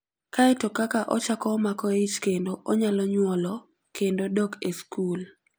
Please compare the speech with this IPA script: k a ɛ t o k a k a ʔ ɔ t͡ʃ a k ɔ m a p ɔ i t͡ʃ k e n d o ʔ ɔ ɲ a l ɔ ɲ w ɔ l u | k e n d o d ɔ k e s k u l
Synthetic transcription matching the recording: k a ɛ t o k a k a ʔ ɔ t͡ʃ a k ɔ m a k ɔ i t͡ʃ k e n d o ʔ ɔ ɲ a l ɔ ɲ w ɔ l ɔ | k e n d o d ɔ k e s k u l